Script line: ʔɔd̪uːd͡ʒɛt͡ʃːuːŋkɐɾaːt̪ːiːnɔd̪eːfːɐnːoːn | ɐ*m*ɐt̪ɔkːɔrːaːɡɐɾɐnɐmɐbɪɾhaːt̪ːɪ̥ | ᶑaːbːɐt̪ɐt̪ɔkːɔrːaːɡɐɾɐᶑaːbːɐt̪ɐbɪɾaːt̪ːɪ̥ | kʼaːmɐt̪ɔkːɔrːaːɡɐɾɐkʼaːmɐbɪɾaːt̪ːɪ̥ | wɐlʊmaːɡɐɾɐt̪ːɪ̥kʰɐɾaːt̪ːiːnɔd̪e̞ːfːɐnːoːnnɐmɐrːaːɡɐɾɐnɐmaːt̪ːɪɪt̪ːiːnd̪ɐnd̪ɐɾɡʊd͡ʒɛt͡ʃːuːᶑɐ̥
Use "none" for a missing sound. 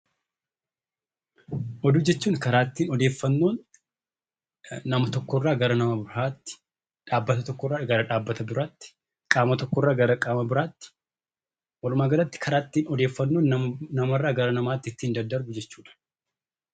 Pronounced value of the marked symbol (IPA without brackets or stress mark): m